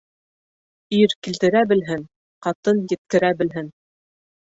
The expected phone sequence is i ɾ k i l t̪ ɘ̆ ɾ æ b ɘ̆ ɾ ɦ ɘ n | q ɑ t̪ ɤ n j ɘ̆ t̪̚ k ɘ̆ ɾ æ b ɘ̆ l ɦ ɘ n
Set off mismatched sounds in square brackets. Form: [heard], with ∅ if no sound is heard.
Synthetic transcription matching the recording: i ɾ k i l t̪ ɘ̆ ɾ æ b ɘ̆ [l] ɦ ɘ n | q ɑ t̪ ɤ n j ɘ̆ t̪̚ k ɘ̆ ɾ æ b ɘ̆ l ɦ ɘ n